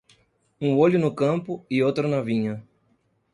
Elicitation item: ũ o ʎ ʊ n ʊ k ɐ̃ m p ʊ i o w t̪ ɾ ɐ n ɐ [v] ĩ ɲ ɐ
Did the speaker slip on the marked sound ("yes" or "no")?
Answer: no